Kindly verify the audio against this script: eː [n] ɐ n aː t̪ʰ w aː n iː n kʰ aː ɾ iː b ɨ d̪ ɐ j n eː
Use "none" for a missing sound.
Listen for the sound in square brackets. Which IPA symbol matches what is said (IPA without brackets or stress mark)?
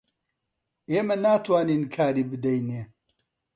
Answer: m